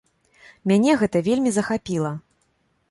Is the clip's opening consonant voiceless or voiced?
voiced